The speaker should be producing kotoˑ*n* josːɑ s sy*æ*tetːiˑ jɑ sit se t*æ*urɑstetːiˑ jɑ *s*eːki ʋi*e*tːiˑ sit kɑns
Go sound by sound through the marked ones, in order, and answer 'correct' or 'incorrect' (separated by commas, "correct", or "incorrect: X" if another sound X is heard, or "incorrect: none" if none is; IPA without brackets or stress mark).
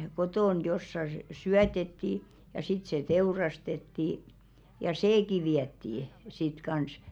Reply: correct, correct, incorrect: e, correct, incorrect: æ